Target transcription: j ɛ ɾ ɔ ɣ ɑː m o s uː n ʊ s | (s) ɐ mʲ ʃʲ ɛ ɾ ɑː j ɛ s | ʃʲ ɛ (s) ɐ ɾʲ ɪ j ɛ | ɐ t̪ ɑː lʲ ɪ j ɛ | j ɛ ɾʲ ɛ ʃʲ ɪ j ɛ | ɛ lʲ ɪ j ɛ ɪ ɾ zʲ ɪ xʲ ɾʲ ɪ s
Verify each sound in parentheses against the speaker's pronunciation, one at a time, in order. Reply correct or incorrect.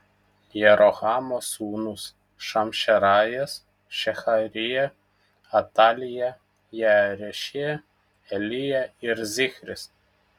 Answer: incorrect: ʃ, incorrect: x

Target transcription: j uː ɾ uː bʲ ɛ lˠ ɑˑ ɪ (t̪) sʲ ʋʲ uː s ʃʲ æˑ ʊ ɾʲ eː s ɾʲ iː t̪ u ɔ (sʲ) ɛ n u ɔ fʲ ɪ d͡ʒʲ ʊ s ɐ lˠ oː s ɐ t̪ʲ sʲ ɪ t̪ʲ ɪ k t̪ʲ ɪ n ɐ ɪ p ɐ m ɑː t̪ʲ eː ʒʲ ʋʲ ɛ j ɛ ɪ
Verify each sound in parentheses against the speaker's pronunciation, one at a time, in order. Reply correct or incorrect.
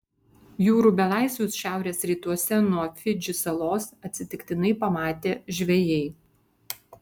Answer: incorrect: none, correct

